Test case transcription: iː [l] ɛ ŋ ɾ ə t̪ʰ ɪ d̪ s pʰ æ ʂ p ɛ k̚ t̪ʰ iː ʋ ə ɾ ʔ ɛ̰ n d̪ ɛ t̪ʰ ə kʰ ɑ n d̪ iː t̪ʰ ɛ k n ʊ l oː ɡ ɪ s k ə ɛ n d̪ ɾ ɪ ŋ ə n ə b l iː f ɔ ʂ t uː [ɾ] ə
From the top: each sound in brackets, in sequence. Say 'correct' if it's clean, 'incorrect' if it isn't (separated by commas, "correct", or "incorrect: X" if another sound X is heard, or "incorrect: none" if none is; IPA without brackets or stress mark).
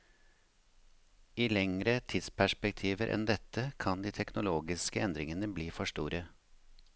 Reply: correct, correct